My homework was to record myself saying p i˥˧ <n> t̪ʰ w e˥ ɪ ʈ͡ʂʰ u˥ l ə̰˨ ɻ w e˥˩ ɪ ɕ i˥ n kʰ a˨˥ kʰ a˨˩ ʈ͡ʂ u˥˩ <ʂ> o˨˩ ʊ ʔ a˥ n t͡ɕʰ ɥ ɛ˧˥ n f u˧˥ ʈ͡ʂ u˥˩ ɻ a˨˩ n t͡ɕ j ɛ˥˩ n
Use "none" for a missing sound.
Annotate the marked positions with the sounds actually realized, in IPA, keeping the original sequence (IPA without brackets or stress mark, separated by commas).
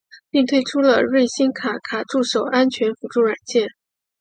ŋ, ʂ